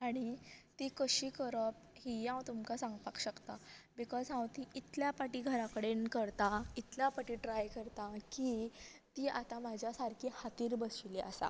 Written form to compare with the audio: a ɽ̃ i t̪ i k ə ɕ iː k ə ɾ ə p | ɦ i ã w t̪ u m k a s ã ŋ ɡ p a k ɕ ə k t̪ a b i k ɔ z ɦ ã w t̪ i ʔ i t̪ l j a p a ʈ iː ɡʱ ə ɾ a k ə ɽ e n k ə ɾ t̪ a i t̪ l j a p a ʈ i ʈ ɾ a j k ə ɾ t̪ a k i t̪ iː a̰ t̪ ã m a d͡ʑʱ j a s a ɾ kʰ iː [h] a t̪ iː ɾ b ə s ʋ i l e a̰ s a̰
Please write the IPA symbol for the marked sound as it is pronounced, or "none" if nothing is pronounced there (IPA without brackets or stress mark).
h